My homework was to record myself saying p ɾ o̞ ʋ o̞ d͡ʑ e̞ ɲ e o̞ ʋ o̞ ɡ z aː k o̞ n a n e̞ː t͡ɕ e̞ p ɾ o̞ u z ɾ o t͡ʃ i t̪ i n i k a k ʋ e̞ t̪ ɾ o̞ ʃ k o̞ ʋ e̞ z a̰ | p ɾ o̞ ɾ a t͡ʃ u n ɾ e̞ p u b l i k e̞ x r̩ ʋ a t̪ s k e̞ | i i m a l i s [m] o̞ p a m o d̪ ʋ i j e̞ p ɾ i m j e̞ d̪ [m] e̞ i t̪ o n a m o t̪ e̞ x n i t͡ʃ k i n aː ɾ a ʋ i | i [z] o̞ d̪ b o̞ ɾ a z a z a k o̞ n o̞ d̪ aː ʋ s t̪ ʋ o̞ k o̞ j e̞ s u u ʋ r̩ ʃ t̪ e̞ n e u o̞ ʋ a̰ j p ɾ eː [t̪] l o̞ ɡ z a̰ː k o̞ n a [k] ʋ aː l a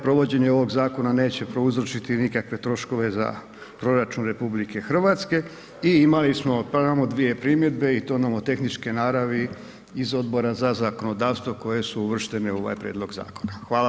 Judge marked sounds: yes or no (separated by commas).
yes, no, yes, no, no